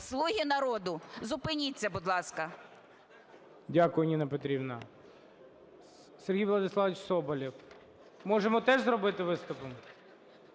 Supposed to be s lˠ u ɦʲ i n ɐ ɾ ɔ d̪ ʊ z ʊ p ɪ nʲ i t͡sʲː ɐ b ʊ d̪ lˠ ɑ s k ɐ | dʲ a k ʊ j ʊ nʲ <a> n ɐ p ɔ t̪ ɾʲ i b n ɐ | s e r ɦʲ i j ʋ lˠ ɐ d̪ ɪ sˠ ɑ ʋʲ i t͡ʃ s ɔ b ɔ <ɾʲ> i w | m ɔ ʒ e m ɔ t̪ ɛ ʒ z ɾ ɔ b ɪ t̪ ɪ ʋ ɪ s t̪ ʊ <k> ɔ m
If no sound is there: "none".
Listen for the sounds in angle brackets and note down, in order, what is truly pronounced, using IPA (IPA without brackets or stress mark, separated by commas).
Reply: i, lʲ, p